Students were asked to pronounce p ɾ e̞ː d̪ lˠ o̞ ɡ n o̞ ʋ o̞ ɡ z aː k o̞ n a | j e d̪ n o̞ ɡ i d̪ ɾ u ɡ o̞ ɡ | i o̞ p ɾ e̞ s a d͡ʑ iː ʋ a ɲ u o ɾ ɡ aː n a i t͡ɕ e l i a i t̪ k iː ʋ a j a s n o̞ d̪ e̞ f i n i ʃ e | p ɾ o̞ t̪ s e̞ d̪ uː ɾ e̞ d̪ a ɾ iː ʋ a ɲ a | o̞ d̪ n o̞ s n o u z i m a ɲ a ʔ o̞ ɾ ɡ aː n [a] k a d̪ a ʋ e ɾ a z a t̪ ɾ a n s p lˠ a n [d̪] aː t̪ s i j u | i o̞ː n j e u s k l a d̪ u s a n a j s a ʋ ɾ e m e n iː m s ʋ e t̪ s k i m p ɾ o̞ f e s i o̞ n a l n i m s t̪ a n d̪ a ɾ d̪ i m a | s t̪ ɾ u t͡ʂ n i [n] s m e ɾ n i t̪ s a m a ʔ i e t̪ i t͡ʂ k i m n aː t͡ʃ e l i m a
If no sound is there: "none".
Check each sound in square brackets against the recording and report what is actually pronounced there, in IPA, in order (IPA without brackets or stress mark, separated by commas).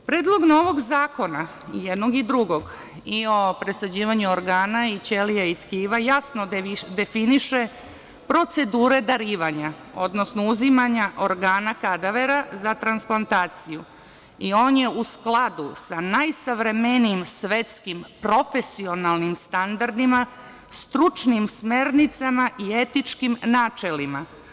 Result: a, t̪, m